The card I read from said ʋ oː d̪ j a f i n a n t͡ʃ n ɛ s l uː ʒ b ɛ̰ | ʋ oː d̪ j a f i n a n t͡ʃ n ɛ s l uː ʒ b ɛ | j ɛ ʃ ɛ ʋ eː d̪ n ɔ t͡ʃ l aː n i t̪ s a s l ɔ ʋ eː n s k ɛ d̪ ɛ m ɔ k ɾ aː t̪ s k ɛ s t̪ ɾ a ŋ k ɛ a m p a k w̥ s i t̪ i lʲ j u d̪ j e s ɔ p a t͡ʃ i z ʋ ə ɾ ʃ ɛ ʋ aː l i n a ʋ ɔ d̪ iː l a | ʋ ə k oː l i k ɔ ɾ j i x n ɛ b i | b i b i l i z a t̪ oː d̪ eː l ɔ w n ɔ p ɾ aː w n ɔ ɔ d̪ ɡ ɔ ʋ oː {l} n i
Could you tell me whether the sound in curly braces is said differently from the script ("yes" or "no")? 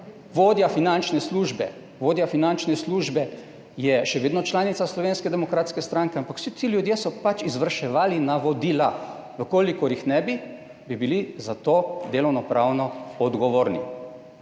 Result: yes